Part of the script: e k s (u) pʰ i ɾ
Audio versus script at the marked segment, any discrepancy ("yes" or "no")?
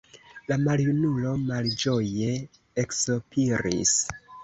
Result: yes